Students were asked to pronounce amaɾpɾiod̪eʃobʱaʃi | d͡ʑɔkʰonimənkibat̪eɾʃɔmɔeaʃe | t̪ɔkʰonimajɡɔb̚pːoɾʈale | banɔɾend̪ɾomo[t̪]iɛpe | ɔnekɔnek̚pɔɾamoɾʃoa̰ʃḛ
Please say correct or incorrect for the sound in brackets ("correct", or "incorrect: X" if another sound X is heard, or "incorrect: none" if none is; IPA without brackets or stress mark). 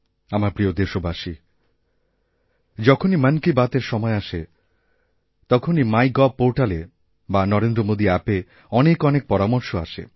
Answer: incorrect: d̪